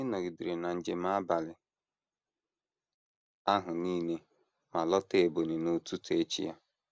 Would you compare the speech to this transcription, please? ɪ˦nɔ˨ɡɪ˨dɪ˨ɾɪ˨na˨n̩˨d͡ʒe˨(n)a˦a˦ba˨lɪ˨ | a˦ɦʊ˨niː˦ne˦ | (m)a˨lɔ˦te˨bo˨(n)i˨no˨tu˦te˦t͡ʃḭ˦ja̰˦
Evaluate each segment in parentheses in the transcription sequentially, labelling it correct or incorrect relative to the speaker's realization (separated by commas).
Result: incorrect, correct, correct